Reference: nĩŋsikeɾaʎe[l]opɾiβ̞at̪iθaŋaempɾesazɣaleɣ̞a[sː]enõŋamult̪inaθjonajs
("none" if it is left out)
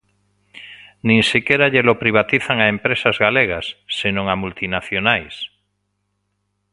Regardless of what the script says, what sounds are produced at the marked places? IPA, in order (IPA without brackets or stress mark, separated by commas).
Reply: l, sː